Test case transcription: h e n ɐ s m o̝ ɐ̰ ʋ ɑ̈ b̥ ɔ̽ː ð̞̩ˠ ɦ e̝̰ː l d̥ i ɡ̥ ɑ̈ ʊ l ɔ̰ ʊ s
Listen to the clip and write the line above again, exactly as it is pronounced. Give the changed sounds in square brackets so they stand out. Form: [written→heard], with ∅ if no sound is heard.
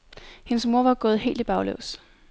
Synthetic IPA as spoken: h e n [ɐ→ə] s m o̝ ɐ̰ ʋ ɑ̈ [b̥→ɡ̥] ɔ̽ː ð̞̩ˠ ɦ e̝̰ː l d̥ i [ɡ̥→b̥] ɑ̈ ʊ l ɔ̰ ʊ s